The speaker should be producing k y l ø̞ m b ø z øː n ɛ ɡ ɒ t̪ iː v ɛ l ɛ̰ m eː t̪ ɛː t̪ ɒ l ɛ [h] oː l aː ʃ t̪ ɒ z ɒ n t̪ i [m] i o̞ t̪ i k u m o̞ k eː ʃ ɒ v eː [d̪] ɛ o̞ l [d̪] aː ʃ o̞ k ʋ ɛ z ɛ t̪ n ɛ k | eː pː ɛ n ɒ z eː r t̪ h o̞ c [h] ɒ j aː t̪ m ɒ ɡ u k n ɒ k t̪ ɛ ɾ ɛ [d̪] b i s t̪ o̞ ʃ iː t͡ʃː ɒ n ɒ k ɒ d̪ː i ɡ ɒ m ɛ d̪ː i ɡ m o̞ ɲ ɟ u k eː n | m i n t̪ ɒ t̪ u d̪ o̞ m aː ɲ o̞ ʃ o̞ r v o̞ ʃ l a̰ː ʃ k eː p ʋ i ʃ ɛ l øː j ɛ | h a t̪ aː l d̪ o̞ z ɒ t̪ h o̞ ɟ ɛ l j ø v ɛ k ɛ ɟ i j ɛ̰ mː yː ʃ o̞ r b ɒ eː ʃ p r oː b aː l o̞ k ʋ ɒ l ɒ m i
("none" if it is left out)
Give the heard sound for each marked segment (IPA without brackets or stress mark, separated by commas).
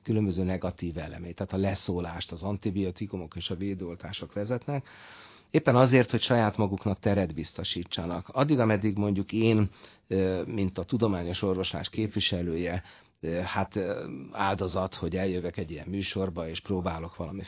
s, b, d̪, t̪, ʃ, d̪